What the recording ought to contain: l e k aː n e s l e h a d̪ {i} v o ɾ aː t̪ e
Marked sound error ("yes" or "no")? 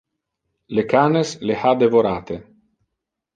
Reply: yes